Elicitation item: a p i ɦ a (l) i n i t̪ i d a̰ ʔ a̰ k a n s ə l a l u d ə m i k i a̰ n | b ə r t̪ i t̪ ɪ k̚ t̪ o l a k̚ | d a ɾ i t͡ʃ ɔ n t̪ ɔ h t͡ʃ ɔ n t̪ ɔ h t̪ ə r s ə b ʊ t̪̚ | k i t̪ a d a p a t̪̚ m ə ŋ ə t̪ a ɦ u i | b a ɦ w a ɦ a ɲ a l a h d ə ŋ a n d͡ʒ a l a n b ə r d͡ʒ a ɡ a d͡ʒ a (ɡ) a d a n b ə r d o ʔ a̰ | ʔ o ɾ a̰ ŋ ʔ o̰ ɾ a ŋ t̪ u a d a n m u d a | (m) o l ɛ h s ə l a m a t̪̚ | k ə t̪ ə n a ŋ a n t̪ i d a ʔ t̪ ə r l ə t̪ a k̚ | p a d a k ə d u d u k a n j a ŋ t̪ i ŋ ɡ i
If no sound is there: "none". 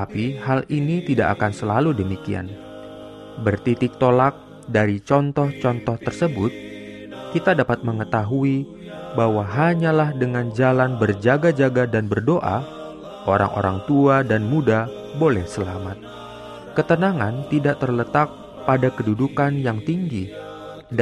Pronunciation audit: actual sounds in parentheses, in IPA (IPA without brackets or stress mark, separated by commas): l, ɡ, b